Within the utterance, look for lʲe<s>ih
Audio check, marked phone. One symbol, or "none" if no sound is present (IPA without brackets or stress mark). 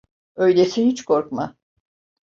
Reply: s